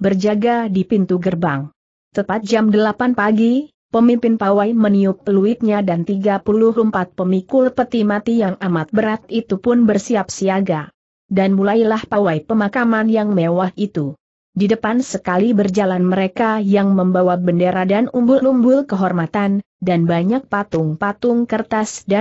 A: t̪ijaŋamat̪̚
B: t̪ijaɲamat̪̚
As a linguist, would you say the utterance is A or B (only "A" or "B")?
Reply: A